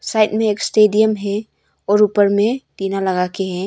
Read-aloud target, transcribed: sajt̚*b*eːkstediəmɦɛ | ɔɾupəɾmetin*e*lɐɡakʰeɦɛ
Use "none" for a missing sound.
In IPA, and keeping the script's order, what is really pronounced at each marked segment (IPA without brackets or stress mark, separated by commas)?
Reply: m, a